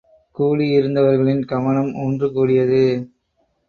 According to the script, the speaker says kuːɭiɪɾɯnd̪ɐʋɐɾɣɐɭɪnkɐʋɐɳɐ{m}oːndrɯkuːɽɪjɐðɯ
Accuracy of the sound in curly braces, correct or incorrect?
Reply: correct